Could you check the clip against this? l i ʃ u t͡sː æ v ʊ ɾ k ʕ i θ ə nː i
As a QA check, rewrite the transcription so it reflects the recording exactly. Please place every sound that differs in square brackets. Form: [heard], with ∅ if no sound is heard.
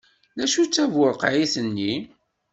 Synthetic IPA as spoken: l [æ] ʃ u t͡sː æ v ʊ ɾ [q] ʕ i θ ə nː i